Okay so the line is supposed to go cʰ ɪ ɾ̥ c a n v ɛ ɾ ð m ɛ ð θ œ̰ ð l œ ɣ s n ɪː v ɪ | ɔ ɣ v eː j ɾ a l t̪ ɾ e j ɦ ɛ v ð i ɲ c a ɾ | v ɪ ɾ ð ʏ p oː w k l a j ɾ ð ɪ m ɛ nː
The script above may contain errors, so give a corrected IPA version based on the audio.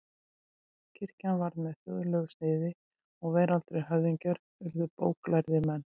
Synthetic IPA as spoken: cʰ ɪ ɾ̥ c a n v a ɾ ð m ɛ ð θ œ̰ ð l œ ɣ s n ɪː ð ɪ | ɔ ɣ v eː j ɾ a l t̪ ɾ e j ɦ œ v ð i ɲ c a ɾ | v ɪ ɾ ð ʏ p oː w k l a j ɾ ð ɪ m ɛ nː